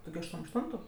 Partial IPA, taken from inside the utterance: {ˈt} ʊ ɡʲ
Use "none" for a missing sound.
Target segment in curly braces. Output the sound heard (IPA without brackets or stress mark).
t